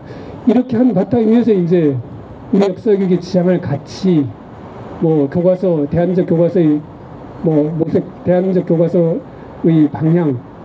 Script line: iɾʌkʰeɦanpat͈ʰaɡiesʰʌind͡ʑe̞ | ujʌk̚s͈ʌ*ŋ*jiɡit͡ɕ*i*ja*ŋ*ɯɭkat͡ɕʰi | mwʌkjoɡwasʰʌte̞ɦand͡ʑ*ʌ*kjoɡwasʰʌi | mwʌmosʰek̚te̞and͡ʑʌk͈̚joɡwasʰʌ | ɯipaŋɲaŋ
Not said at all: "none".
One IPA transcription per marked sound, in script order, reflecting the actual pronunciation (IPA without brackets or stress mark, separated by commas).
ɡ, i, ŋ, ʌ